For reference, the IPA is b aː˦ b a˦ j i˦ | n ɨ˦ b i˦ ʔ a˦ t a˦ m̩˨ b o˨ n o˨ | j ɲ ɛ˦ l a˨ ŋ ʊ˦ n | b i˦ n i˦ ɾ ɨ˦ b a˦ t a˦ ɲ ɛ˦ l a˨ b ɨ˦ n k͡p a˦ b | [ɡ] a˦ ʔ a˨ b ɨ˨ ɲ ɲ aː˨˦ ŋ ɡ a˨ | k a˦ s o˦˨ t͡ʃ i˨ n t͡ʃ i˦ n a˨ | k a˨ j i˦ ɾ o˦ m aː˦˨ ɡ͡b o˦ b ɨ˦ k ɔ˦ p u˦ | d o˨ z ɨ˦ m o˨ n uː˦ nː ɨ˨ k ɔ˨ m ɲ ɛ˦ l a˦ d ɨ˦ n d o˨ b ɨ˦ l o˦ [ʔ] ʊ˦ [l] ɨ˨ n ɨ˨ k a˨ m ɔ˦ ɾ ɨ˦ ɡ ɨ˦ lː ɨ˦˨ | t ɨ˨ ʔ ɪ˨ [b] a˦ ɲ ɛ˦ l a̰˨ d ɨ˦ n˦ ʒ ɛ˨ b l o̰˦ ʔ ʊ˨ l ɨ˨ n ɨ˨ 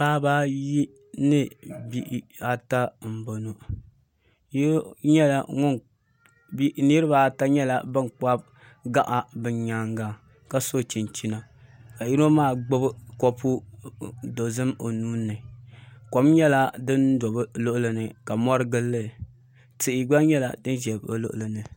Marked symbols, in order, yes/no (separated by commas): yes, yes, yes, no